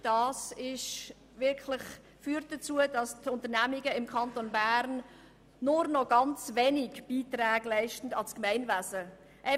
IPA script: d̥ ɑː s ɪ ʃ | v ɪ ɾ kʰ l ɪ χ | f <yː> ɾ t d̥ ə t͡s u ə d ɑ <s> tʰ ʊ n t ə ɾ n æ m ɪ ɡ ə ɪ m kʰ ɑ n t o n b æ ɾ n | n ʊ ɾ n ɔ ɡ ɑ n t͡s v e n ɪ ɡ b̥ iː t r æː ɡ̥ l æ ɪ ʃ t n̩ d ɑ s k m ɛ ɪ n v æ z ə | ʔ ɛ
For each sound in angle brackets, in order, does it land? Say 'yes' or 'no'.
yes, yes

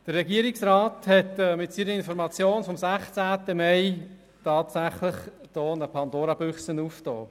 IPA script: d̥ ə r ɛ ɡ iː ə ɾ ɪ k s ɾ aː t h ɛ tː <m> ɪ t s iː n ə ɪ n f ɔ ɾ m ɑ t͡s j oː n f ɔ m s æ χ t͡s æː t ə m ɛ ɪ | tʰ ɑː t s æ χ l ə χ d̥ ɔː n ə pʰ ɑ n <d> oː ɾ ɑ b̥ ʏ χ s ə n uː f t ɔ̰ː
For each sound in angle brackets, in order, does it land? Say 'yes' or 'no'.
yes, yes

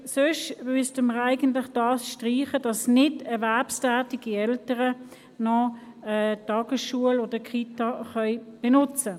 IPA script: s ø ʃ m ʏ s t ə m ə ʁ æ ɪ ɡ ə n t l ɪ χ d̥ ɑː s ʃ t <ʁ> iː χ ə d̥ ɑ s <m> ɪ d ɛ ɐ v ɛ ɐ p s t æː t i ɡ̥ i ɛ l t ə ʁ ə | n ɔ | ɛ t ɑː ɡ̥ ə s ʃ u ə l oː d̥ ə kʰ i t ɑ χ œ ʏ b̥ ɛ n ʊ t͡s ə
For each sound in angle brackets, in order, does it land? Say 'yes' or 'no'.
yes, no

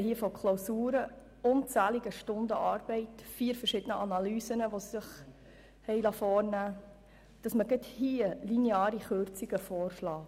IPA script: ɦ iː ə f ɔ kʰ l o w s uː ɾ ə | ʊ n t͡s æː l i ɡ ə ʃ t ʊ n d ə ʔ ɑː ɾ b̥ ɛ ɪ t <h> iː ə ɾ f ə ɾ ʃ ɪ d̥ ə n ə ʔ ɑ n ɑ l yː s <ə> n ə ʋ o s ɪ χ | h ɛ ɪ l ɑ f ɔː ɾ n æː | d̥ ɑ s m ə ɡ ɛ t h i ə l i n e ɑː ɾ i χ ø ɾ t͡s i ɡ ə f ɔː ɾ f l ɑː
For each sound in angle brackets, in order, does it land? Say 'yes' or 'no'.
no, yes

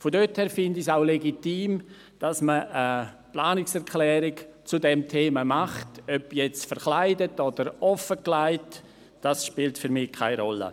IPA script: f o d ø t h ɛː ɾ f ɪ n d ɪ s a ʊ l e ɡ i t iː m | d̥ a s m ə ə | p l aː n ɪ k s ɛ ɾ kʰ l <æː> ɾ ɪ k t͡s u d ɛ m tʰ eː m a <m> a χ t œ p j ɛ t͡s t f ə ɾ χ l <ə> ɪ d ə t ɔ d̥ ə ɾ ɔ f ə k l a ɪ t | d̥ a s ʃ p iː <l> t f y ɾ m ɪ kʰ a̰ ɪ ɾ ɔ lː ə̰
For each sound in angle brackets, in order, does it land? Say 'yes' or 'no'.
no, yes, no, yes

